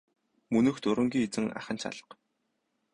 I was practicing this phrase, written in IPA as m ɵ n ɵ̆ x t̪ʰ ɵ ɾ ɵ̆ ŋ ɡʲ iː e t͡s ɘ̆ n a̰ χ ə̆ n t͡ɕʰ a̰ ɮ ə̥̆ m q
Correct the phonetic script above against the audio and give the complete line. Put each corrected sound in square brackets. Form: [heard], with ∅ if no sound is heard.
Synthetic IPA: m ɵ n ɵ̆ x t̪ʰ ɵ ɾ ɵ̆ ŋ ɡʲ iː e t͡s ɘ̆ [ŋ] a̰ χ ə̆ n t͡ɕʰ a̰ ɮ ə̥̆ [∅] q